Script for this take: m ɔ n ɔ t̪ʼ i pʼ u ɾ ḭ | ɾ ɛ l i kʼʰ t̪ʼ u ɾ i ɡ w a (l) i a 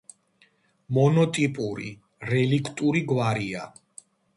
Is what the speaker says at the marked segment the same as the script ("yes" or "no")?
no